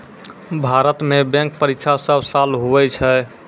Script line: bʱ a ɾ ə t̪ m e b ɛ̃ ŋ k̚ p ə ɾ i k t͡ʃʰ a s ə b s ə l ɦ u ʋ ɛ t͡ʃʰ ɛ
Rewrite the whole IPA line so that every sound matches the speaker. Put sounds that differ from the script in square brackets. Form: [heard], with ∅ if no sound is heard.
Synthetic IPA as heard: bʱ a ɾ ə t̪ m e b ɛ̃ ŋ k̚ p ə ɾ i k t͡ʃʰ a s ə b s [a] l ɦ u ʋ ɛ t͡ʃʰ ɛ